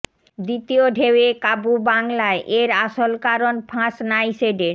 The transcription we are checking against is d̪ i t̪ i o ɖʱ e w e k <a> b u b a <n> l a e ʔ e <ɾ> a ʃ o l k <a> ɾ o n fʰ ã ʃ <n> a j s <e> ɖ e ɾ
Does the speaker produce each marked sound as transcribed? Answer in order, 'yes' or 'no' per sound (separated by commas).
yes, no, yes, yes, yes, yes